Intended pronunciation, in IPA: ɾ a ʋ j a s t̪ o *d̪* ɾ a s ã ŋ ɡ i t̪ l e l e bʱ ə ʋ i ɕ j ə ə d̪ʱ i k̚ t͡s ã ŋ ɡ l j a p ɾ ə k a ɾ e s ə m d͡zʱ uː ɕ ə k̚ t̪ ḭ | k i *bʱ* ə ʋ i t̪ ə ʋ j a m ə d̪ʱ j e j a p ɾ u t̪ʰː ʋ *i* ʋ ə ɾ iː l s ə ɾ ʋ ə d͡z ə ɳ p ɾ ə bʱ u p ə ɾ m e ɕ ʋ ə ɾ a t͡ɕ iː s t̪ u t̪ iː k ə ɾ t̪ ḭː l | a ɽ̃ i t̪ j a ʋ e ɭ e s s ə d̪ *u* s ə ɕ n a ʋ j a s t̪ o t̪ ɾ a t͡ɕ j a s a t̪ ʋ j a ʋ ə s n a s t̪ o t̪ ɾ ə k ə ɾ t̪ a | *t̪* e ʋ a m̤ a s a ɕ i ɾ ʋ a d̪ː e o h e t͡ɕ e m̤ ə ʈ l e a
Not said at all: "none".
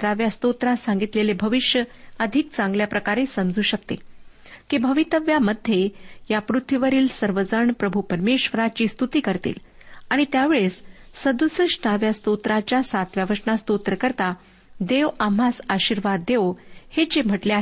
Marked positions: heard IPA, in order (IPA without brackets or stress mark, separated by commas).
t̪, bʱ, i, u, d̪